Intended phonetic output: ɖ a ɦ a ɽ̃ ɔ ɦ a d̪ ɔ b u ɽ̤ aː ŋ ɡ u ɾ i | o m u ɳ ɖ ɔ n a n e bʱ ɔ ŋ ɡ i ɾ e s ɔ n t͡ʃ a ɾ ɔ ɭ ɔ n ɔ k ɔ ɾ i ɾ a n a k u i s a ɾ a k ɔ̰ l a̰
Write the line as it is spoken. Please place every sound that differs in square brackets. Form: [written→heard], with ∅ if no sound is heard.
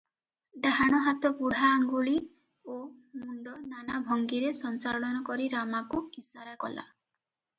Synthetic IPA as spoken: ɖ a ɦ a ɽ̃ ɔ ɦ a [d̪→t̪] ɔ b u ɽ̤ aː ŋ ɡ u [ɾ→ɭ] i | o m u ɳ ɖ ɔ n a n [e→a] bʱ ɔ ŋ ɡ i ɾ e s ɔ n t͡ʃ a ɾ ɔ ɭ ɔ n ɔ k ɔ ɾ i ɾ a [n→m] a k u i s a ɾ a k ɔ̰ l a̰